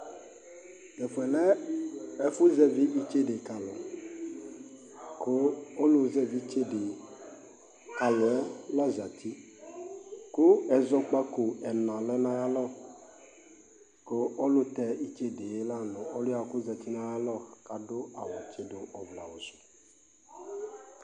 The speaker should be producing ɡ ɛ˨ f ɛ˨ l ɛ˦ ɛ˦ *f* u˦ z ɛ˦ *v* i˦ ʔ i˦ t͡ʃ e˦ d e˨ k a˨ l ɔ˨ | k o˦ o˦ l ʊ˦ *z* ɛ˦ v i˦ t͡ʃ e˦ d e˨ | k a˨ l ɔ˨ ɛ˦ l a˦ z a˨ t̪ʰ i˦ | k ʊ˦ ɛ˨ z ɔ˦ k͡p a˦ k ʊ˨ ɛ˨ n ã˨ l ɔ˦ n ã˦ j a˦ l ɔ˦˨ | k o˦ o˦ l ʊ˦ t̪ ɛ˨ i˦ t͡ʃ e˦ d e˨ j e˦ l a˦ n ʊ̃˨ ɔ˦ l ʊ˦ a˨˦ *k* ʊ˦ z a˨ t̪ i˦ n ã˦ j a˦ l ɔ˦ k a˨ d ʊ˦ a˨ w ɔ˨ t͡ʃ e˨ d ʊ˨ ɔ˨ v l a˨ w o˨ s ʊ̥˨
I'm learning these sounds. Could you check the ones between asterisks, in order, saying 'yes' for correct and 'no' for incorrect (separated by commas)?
yes, yes, yes, yes